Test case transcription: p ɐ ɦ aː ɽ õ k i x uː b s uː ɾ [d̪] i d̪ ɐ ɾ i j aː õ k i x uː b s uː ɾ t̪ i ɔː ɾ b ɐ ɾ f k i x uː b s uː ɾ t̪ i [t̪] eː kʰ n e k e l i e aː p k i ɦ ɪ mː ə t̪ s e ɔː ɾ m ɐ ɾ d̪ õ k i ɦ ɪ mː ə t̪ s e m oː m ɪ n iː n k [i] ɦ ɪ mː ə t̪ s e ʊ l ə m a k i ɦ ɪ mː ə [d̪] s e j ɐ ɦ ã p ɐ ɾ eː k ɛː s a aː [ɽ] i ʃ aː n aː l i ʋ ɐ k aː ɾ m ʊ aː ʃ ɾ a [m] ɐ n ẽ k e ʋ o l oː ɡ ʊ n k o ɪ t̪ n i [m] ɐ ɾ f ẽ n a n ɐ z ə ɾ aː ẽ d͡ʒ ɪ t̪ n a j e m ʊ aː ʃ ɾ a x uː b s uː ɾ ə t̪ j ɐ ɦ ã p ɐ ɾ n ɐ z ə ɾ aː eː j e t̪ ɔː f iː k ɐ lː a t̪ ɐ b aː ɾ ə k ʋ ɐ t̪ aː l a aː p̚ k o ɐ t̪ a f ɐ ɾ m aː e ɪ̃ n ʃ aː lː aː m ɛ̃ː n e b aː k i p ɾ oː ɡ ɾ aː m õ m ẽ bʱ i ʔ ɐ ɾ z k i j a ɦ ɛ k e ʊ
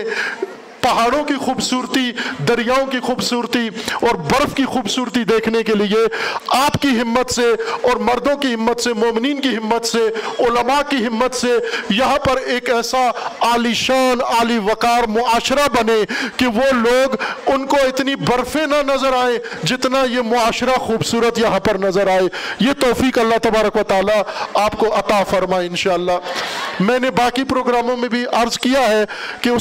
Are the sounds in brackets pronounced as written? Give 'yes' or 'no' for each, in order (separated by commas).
no, no, yes, no, no, no, no